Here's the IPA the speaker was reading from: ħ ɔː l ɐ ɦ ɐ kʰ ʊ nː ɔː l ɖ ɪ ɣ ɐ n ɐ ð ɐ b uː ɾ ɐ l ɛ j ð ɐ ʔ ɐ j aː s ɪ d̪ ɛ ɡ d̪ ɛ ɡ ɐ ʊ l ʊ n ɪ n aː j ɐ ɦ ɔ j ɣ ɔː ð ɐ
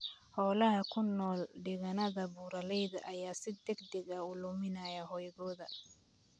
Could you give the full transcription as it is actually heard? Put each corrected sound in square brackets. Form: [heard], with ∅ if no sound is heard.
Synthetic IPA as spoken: [h] ɔː l ɐ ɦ ɐ kʰ ʊ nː ɔː l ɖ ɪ ɣ ɐ n ɐ ð ɐ b uː ɾ ɐ l ɛ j ð ɐ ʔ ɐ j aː s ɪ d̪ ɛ ɡ d̪ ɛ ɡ ɐ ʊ l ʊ [m] ɪ n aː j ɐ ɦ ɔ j ɣ ɔː ð ɐ